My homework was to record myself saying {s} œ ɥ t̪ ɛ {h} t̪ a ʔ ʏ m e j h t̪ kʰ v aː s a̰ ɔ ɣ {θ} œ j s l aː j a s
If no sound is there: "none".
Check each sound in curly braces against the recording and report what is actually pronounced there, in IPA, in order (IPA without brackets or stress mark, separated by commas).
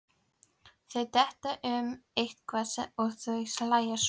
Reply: θ, h, θ